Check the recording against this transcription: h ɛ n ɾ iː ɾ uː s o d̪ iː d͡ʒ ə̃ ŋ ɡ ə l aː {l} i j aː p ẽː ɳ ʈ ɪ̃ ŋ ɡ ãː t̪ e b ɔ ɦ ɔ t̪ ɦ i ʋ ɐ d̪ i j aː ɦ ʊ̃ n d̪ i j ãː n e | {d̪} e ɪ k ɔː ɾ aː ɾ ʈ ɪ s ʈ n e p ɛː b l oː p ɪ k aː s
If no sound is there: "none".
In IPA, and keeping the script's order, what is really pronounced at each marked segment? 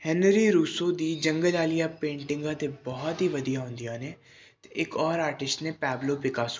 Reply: l, t̪

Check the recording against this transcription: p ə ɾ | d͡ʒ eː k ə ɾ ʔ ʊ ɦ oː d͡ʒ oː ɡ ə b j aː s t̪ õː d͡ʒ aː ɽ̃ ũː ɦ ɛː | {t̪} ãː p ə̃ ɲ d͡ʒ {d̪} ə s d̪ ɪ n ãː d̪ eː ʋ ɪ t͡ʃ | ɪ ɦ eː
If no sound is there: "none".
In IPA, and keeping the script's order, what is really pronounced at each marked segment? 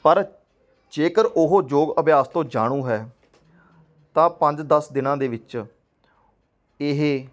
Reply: t̪, d̪

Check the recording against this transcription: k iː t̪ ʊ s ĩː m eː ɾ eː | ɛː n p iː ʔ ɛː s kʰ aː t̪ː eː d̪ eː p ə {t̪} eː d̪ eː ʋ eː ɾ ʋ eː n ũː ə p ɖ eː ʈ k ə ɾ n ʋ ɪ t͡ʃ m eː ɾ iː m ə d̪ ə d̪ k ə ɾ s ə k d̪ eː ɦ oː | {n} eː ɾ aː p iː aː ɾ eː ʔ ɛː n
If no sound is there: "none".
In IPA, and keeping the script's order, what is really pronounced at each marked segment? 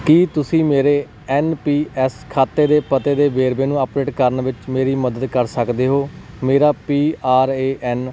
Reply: t̪, m

